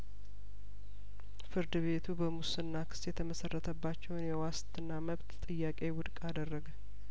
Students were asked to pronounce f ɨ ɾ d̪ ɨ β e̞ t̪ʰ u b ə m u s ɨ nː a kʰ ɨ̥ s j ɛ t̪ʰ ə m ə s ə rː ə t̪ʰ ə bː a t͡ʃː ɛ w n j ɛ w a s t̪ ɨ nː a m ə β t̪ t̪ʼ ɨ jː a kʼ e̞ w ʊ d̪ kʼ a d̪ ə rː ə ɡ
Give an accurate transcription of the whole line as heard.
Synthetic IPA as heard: f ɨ ɾ d̪ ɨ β e̞ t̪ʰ u b ə m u s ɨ nː a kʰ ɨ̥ s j ɛ t̪ʰ ə m ə s ə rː ə t̪ʰ ə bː a t͡ʃː ɛ w n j ɛ w a s t̪ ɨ nː a m ə β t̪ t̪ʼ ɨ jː a kʼ e̞ w ʊ d̪ kʼ a d̪ ə rː ə ɡ